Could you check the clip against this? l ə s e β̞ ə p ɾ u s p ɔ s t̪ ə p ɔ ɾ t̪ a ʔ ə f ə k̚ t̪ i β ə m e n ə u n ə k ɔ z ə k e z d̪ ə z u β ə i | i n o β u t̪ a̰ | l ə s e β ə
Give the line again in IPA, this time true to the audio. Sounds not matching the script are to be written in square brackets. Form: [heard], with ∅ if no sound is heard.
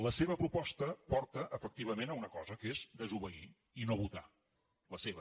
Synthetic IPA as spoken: l ə s e β̞ ə p ɾ u [∅] p ɔ s t̪ ə p ɔ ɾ t̪ [ə] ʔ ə f ə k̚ t̪ i β ə m e n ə u n ə k ɔ z ə k e z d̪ ə z u β ə i | i n o β u t̪ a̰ | l ə s e β ə